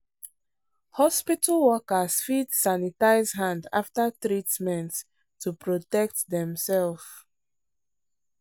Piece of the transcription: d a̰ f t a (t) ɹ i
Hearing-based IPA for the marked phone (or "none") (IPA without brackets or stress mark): t